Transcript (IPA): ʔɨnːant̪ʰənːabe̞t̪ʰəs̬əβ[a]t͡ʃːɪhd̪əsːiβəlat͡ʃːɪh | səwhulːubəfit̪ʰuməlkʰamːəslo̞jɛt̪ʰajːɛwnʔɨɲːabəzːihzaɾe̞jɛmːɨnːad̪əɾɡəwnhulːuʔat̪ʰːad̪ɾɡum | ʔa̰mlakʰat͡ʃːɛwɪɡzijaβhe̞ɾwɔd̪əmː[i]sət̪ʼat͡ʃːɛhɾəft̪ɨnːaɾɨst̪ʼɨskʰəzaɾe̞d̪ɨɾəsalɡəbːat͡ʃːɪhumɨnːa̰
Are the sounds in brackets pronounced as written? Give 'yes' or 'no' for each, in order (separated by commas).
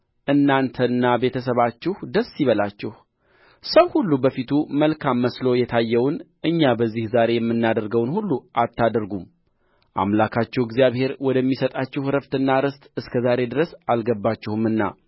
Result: yes, yes